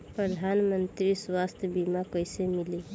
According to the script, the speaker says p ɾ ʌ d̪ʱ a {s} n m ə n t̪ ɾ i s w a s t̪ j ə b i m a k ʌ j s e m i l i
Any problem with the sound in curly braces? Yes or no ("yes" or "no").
yes